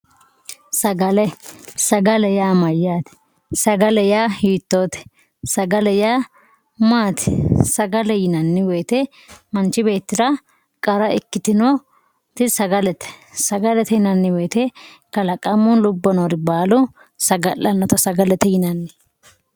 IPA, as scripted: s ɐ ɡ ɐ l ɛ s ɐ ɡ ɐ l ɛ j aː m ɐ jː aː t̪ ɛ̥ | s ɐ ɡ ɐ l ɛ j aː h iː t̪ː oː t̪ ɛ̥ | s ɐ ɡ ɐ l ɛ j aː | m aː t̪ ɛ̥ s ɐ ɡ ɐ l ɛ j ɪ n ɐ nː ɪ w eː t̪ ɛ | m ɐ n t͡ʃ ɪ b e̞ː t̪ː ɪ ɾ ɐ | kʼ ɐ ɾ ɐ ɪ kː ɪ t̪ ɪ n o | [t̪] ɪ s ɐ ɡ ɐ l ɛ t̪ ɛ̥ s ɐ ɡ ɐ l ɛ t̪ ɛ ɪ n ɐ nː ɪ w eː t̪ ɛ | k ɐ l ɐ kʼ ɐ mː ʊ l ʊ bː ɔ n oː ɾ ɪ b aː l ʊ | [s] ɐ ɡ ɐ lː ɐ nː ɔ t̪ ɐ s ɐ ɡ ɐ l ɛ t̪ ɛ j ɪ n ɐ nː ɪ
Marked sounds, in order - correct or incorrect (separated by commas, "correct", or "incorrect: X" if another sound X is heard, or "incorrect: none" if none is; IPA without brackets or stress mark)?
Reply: correct, correct